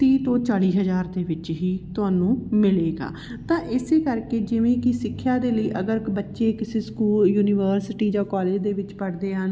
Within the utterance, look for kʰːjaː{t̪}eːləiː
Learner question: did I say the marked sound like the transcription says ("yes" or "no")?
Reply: no